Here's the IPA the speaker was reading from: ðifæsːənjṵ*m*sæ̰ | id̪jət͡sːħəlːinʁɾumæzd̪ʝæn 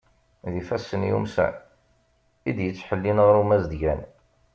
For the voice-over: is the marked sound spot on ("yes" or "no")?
yes